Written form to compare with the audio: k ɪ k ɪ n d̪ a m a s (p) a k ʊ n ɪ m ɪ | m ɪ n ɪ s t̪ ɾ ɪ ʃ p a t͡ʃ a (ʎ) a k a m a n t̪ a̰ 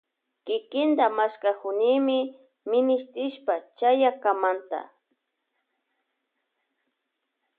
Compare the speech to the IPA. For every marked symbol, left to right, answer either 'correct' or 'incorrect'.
incorrect: k, incorrect: j

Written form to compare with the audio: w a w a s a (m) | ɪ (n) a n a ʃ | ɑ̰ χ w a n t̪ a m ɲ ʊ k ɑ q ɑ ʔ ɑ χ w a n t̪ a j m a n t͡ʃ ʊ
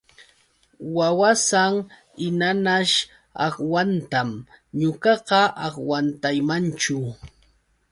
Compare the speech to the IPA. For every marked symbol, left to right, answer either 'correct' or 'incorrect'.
incorrect: ŋ, correct

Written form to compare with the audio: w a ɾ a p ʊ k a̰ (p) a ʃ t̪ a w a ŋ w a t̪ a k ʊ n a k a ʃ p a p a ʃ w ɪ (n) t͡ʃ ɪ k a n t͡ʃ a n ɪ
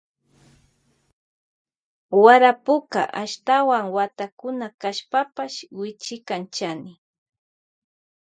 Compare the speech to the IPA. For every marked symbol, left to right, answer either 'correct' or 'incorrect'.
incorrect: ʔ, incorrect: none

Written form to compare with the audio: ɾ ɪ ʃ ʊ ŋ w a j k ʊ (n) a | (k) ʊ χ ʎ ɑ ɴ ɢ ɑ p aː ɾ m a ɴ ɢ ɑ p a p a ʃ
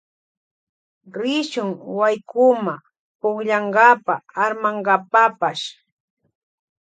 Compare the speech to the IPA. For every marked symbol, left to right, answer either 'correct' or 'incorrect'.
incorrect: m, incorrect: p

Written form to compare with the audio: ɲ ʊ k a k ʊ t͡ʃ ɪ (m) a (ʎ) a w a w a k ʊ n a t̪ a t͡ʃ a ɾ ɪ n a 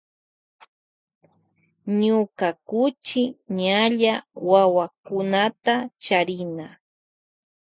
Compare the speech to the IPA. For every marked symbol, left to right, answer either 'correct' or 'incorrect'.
incorrect: ɲ, correct

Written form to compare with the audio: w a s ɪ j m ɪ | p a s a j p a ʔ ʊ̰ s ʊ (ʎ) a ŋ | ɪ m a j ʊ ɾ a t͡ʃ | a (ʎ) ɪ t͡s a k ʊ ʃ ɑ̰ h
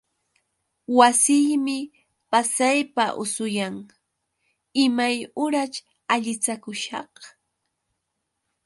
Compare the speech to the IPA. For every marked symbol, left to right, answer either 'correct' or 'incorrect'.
incorrect: j, correct

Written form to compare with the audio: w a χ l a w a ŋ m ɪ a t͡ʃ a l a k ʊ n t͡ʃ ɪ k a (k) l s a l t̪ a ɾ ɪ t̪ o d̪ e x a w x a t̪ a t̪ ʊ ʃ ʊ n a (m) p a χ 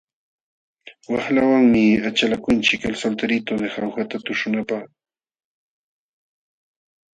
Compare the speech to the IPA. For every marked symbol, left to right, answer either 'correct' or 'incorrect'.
incorrect: none, incorrect: none

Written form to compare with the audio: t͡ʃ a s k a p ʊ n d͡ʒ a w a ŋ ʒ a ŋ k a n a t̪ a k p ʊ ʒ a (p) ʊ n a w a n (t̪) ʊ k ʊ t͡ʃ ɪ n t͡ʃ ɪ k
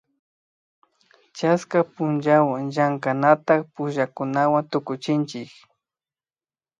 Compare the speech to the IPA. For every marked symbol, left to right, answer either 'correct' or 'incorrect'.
incorrect: k, correct

